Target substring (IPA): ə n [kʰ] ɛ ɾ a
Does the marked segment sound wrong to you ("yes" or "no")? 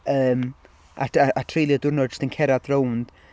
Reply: no